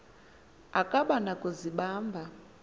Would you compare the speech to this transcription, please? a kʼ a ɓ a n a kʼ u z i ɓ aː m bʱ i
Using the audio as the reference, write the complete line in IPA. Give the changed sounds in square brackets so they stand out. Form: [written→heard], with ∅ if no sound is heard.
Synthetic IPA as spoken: a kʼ a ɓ a n a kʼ u z i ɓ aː m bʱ [i→a]

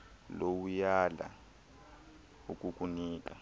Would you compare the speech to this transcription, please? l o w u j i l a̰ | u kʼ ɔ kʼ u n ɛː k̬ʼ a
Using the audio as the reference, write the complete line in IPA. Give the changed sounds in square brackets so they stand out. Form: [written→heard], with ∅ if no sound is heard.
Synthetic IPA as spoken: l o w u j [i→a] l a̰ | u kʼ [ɔ→u] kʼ u n [ɛː→iː] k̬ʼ a

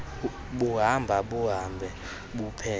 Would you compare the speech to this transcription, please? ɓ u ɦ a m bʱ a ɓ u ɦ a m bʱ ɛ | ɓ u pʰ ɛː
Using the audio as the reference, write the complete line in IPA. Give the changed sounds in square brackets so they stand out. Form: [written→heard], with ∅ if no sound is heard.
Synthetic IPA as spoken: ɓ u ɦ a m bʱ a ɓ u ɦ a m bʱ ɛ | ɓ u pʰ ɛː

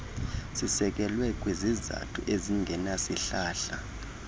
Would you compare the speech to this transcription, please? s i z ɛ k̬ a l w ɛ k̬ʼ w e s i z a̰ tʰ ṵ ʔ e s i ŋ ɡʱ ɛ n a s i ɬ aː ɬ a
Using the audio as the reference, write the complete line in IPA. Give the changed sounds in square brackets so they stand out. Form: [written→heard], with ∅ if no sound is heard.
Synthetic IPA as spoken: s i [z→s] ɛ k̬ [a→ɛ] l w ɛ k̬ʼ w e [s→z] i z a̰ tʰ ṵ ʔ e [s→z] i ŋ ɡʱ ɛ n a s i ɬ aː ɬ a

